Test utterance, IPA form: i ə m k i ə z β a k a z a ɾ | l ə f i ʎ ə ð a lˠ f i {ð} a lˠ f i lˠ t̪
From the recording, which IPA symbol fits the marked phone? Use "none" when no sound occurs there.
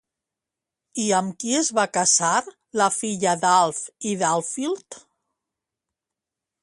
ð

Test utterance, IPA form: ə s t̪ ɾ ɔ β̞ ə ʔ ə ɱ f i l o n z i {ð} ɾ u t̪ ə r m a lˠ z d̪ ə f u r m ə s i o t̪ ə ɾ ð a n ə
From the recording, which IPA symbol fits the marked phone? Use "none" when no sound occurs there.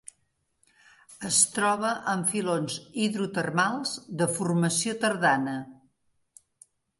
ð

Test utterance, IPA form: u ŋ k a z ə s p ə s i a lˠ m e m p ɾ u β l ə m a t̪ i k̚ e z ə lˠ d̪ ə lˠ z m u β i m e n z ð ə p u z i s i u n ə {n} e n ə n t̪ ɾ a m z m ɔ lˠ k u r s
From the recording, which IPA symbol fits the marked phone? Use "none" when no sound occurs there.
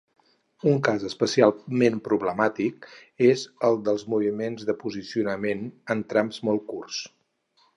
m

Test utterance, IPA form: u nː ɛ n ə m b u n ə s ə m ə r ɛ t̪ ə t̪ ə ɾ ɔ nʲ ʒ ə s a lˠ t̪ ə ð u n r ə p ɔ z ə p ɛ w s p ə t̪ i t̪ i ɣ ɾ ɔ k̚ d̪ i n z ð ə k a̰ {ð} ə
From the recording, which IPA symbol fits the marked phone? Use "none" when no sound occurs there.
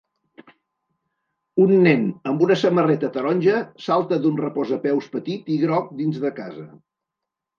z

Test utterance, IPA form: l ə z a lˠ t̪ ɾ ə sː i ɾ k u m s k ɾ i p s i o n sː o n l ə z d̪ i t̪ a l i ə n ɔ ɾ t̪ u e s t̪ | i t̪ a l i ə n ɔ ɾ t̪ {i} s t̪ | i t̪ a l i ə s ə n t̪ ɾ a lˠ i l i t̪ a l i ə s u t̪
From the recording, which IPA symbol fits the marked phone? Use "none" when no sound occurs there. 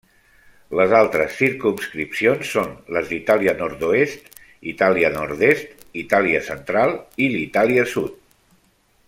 e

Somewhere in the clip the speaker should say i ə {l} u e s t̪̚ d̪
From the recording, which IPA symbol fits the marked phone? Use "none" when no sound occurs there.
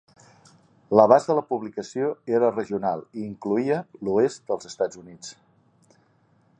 l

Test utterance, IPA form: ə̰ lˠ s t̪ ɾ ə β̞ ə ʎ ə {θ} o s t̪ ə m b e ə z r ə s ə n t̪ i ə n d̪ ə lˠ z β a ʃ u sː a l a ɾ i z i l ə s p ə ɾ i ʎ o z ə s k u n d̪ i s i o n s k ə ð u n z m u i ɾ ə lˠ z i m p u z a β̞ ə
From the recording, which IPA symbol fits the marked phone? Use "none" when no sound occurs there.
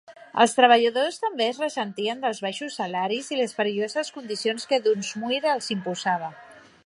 ð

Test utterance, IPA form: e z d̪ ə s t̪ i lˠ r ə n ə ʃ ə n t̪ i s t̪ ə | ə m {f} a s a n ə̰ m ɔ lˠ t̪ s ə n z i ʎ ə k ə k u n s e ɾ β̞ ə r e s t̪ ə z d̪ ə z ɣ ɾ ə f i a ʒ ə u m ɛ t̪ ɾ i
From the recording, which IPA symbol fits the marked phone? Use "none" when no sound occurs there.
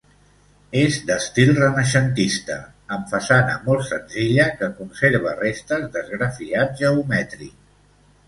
f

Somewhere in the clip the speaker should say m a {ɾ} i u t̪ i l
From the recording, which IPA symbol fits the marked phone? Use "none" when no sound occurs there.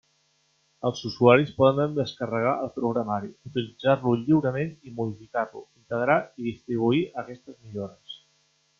ɾ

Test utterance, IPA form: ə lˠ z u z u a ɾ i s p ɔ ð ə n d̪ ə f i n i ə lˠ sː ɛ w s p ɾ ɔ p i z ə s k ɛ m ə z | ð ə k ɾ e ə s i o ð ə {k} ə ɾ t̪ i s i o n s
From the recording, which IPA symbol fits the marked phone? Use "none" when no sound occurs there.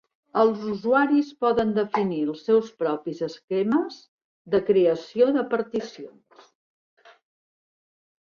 p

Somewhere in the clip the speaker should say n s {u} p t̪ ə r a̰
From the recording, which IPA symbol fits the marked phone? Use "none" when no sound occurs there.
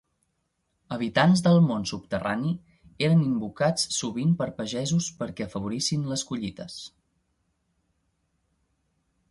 u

